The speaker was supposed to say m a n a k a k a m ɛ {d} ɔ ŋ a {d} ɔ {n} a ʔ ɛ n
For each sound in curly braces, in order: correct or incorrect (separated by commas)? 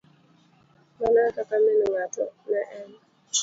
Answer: incorrect, incorrect, correct